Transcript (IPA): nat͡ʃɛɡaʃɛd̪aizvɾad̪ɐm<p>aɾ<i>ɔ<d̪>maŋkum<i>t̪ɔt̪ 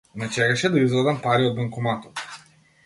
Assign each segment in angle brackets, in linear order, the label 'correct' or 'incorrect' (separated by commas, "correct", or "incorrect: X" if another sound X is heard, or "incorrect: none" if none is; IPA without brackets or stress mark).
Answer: correct, correct, correct, incorrect: a